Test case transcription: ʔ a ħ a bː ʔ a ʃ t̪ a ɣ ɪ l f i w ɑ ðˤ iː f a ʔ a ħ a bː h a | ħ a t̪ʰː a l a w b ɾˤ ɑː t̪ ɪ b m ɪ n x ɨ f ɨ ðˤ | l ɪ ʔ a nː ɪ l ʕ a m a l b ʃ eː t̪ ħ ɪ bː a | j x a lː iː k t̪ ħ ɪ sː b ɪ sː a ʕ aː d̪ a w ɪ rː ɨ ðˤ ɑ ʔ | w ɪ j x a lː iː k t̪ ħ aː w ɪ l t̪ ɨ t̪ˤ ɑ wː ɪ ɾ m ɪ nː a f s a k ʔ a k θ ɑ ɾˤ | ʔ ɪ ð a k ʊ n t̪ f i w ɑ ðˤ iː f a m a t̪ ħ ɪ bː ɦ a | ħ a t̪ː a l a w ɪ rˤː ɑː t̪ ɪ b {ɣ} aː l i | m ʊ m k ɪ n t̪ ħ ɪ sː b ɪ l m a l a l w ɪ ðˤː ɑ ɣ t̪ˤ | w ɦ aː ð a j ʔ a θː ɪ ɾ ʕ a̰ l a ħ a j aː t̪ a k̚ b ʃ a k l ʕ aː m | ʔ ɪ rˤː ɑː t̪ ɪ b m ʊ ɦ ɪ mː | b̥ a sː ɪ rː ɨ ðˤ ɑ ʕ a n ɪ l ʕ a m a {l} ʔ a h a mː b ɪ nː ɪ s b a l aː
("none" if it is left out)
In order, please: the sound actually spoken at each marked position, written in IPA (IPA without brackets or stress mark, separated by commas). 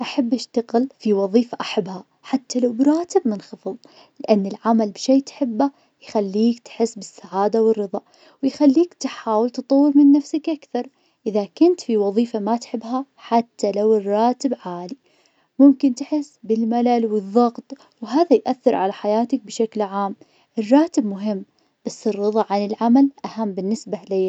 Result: ʕ, l